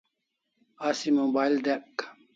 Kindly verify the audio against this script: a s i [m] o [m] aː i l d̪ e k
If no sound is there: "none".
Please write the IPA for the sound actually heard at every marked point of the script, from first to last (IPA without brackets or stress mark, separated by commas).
m, b